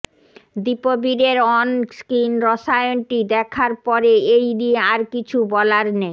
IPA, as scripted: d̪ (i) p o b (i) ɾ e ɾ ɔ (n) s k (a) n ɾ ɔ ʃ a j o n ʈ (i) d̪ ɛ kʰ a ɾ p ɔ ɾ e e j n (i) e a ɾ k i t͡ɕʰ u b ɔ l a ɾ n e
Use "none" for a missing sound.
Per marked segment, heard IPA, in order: i, i, n, i, i, i

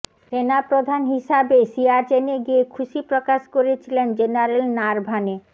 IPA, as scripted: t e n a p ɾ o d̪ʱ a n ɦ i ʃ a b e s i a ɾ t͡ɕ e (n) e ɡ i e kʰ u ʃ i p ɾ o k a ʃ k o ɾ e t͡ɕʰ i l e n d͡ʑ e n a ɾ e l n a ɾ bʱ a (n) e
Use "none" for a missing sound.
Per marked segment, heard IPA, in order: n, n

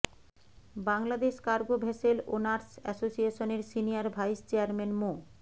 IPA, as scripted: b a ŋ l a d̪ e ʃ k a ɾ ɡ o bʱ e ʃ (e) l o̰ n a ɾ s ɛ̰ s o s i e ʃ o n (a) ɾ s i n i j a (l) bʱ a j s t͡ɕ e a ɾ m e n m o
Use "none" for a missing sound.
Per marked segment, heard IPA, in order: e, e, ɾ

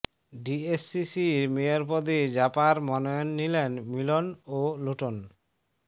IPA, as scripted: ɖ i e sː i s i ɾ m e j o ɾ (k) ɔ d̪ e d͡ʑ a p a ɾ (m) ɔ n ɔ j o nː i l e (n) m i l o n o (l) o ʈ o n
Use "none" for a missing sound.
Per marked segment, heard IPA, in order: p, m, n, l

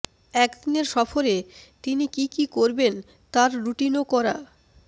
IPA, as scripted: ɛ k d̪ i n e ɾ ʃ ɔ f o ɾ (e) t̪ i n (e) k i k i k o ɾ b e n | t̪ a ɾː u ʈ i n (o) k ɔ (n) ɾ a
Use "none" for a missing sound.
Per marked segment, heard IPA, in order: e, i, o, none

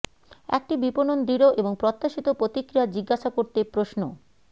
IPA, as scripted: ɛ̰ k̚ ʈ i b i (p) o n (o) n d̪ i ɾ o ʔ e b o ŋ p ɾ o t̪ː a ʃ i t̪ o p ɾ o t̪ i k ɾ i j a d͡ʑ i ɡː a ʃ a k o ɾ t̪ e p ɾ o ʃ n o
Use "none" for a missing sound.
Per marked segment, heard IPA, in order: p, o

